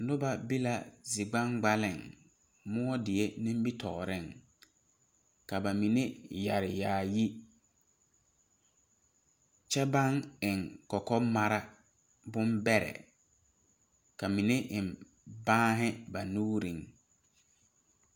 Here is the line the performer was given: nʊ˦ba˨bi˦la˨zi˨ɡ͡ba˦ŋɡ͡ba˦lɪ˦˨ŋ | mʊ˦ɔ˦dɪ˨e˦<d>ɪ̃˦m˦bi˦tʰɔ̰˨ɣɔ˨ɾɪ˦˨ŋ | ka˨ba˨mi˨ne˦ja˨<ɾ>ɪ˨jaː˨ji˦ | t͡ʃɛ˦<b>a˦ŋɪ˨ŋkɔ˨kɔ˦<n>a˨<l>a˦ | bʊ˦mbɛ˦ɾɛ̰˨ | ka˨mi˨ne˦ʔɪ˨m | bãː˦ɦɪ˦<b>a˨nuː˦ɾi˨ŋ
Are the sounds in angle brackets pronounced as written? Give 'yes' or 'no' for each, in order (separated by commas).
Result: no, yes, yes, no, no, yes